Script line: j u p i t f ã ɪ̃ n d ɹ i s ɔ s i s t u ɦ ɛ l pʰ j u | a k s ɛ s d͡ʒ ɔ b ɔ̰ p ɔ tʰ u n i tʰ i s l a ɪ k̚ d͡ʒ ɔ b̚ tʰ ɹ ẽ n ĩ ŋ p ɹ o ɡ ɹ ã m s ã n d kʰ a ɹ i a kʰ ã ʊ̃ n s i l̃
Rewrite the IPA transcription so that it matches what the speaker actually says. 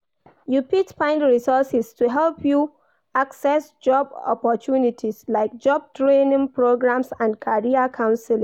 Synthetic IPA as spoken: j u p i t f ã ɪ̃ n d ɹ i s ɔ s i s t u ɦ ɛ l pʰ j u | a k s ɛ s d͡ʒ ɔ b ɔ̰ p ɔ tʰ u n i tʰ i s l a ɪ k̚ d͡ʒ ɔ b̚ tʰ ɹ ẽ n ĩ ŋ p ɹ o ɡ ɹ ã m s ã n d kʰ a ɹ i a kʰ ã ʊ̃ n s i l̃